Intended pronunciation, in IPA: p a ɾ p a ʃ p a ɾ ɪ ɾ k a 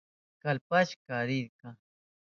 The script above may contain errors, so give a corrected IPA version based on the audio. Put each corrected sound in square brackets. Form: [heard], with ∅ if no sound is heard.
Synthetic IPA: [k] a [l] p a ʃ [k] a ɾ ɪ ɾ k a